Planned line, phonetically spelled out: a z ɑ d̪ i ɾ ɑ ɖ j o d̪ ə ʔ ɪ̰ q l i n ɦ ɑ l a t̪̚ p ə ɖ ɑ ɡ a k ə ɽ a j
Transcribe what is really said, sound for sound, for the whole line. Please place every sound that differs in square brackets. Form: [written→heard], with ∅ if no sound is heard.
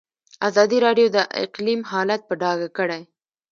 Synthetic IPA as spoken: a z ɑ d̪ i ɾ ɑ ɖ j o d̪ ə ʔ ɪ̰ q l i [n→m] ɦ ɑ l a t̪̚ p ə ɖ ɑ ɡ a k ə ɽ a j